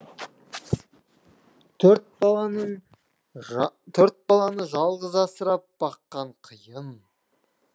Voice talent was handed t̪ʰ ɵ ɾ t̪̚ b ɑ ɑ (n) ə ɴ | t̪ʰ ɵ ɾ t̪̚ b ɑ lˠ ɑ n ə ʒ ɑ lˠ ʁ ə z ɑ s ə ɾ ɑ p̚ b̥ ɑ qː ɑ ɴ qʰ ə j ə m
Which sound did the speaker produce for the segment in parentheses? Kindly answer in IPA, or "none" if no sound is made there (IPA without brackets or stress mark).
n